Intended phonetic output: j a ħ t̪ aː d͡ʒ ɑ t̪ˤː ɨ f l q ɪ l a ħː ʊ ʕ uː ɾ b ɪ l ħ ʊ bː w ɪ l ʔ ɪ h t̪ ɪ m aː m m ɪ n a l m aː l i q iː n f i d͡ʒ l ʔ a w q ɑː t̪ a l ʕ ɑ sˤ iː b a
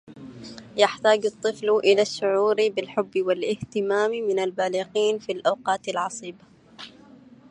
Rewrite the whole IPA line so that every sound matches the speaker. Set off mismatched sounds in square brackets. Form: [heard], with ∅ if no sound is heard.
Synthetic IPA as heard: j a ħ t̪ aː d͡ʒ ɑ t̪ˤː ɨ f l [ʔ] ɪ l a [ʃː] ʊ ʕ uː ɾ b ɪ l ħ ʊ bː w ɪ l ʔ ɪ h t̪ ɪ m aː m m ɪ n a l [b] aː l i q iː n f i [∅] l ʔ a w q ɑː t̪ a l ʕ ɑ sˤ iː b a